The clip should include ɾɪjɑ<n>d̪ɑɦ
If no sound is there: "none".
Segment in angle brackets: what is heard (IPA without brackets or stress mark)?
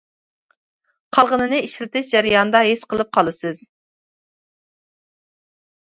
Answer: n